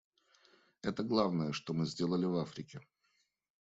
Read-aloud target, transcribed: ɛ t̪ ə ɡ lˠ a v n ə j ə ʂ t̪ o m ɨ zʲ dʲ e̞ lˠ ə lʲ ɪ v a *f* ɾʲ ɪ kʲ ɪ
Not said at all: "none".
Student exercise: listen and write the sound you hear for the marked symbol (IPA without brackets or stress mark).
f